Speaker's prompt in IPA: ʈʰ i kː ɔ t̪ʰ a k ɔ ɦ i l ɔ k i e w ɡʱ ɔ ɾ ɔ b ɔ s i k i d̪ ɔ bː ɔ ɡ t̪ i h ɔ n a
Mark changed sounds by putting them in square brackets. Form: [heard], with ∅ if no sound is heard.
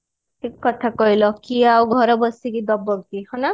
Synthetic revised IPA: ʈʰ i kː ɔ t̪ʰ a k ɔ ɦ i l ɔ k i [a] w ɡʱ ɔ ɾ ɔ b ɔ s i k i d̪ ɔ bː ɔ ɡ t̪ i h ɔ n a